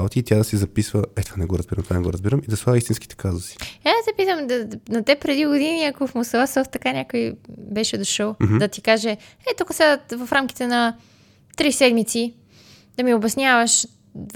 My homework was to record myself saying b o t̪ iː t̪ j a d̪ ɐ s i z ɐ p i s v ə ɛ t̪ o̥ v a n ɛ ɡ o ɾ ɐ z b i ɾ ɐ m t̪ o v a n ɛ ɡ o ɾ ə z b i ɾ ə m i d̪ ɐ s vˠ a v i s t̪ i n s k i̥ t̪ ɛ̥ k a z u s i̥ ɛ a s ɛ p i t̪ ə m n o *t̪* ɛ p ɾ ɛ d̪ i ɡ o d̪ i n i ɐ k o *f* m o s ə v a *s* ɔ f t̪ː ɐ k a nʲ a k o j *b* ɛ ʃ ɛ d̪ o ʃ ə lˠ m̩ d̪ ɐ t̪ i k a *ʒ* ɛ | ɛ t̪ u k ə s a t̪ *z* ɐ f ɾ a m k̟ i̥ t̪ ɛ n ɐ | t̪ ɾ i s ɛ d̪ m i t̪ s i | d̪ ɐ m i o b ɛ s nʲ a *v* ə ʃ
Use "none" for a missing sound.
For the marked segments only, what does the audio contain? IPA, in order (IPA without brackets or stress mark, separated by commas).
t̪, f, s, b, ʒ, v, v